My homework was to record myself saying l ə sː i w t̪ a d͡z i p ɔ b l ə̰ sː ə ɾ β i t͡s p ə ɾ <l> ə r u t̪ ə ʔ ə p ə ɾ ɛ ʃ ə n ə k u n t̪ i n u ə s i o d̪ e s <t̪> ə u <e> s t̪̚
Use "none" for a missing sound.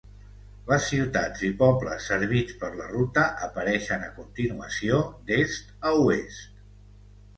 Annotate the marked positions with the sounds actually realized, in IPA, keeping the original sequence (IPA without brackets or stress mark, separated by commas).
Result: l, t̪, e